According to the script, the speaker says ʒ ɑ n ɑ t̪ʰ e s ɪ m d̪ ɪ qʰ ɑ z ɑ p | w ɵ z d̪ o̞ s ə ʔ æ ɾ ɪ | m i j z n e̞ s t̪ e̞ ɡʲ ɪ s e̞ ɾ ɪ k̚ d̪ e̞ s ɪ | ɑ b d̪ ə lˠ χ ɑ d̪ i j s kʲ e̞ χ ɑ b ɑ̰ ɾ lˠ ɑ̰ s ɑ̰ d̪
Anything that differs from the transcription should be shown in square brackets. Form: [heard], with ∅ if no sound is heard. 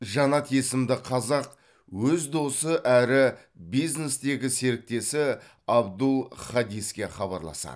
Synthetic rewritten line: ʒ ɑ n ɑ t̪ʰ e s ɪ m d̪ ɪ qʰ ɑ z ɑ [q] | w ɵ z d̪ o̞ s ə ʔ æ ɾ ɪ | [b] i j z n e̞ s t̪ e̞ ɡʲ ɪ s e̞ ɾ ɪ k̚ [t̪] e̞ s ɪ | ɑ b d̪ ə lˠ χ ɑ d̪ i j s kʲ e̞ χ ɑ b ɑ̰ ɾ lˠ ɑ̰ s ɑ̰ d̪